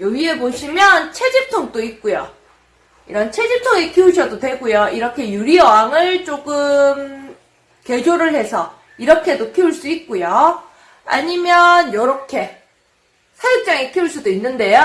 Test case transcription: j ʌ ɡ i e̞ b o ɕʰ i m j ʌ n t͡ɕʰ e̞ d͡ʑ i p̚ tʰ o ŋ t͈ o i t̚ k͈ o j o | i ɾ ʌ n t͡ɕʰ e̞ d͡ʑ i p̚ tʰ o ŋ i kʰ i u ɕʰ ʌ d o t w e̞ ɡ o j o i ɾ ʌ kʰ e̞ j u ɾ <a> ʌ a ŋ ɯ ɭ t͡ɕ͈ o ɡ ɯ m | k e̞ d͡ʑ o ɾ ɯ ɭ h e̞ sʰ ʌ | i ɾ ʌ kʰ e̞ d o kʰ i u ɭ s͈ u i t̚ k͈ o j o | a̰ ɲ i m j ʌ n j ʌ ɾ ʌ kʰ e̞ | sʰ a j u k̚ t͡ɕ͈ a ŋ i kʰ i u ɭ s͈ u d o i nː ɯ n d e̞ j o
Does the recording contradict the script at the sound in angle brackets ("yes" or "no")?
yes